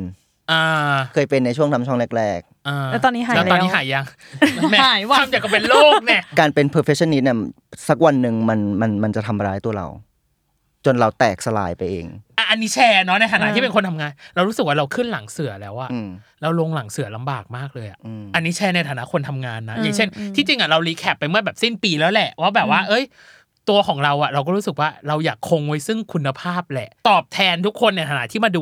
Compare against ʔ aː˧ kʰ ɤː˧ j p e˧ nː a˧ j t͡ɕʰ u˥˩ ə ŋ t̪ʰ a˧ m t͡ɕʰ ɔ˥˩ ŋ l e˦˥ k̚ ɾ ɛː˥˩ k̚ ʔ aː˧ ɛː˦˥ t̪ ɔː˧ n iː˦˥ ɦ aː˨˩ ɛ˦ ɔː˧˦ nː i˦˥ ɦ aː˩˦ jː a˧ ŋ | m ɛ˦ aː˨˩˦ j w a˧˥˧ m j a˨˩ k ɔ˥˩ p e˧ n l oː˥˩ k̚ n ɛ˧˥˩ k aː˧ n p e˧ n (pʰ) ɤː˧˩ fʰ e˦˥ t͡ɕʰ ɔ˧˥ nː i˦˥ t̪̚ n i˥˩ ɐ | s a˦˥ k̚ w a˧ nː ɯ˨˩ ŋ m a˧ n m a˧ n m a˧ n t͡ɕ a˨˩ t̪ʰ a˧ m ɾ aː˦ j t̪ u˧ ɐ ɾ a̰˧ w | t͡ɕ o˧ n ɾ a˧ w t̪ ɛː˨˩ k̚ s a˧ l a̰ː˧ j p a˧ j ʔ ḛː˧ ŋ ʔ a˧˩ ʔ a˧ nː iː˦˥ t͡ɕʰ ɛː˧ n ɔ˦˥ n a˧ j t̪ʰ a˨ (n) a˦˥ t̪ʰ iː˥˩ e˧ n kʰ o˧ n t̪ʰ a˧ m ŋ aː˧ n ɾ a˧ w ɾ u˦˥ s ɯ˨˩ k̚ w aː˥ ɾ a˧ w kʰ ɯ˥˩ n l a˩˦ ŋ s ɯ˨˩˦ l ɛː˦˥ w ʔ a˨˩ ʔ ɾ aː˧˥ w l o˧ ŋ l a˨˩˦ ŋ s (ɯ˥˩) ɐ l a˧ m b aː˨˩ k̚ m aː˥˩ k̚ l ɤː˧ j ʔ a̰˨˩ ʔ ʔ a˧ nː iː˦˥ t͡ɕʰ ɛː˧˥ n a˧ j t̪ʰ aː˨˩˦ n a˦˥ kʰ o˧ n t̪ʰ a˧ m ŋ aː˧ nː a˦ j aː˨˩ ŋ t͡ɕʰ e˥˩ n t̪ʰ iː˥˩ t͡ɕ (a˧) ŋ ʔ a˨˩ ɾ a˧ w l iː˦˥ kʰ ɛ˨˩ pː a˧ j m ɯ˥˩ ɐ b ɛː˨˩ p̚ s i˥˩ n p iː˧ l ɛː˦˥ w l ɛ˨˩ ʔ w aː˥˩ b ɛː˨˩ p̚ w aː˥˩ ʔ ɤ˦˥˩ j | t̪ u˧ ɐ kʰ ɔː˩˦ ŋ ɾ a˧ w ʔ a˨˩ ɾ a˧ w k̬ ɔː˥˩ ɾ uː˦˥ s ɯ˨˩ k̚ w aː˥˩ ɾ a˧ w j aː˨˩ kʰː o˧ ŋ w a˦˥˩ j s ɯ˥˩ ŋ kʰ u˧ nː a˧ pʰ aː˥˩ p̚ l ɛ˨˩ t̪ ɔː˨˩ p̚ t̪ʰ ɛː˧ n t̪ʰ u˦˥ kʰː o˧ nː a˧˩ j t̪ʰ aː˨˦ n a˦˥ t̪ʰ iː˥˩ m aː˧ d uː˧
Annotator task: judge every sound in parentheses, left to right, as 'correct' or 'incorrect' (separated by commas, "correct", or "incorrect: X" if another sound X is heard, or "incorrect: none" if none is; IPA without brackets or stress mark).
correct, correct, incorrect: ɯ˨˩˦, incorrect: i˧